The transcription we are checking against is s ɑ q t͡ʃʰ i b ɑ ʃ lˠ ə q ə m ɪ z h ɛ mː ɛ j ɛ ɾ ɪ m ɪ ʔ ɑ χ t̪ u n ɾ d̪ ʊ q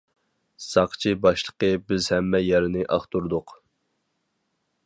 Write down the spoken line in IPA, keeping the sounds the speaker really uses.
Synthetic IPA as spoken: s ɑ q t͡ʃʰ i b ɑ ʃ lˠ ə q ə b ɪ z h ɛ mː ɛ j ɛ ɾ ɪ n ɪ ʔ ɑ χ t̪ u ɾ d̪ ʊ q